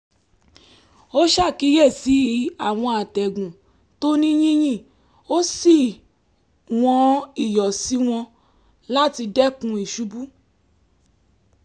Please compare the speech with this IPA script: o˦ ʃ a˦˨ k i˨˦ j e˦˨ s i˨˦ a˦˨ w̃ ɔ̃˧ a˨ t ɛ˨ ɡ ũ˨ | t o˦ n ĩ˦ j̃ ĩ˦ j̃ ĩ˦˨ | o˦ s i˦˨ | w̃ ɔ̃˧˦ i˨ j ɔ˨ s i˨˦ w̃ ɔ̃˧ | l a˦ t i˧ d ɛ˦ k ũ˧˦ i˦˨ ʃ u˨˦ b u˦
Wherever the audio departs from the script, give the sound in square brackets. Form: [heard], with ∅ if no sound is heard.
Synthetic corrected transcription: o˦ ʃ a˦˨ k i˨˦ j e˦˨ s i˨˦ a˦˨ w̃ ɔ̃˧ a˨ t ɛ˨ ɡ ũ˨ | t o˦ n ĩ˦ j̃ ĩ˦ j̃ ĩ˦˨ | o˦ s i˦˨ | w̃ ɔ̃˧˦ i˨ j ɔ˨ s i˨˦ w̃ ɔ̃˧ | l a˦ t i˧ d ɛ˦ k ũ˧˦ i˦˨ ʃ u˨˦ b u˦